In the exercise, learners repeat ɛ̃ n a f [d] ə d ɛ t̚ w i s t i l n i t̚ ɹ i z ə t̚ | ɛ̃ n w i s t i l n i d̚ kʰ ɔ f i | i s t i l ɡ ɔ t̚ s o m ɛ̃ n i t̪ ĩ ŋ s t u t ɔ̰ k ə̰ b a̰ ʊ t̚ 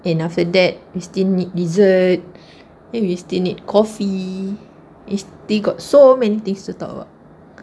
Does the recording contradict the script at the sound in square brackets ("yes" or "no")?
yes